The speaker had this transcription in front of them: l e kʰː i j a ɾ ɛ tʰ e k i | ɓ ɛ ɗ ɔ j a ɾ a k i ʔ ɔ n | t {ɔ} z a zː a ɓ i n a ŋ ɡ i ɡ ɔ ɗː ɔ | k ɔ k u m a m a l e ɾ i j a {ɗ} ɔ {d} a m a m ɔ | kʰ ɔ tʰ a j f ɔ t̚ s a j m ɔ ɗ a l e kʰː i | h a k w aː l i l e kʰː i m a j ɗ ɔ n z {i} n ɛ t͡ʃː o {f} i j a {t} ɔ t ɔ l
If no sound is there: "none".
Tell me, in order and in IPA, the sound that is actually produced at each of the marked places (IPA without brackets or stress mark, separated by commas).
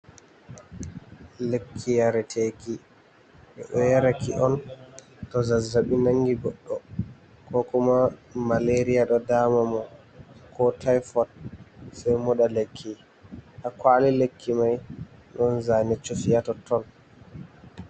ɔ, ɗ, d, a, f, t